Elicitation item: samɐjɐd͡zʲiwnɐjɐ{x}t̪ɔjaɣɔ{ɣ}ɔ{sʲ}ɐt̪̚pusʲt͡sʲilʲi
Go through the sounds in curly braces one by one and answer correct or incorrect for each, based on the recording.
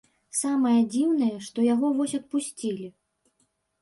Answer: incorrect, incorrect, correct

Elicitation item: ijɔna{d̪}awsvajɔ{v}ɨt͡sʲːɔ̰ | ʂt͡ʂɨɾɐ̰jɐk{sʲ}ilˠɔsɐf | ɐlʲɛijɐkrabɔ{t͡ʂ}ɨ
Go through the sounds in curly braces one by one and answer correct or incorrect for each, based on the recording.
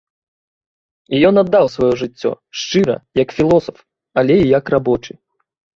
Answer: incorrect, incorrect, incorrect, correct

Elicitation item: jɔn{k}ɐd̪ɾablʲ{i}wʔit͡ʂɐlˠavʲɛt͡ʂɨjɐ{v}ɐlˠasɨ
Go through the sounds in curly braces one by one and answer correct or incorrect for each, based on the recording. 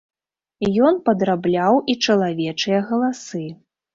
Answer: incorrect, incorrect, incorrect

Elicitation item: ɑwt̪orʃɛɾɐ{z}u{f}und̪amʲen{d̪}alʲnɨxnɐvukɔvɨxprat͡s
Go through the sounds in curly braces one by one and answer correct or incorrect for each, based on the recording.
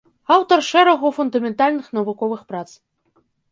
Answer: incorrect, correct, incorrect

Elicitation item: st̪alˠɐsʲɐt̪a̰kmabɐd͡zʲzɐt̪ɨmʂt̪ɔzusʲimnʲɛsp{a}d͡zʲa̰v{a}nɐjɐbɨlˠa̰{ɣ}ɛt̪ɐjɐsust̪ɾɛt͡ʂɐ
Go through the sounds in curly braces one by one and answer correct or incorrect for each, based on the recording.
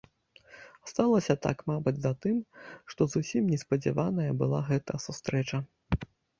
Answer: incorrect, correct, correct

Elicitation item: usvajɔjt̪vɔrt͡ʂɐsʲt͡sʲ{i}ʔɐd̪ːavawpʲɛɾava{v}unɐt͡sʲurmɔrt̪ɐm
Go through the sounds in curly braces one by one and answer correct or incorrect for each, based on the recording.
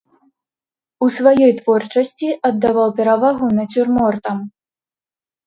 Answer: correct, incorrect

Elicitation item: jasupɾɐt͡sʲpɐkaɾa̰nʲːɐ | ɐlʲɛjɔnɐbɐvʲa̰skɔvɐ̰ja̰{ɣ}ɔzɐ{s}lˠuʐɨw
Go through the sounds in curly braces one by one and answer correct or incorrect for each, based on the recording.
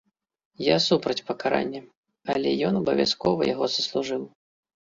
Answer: correct, correct

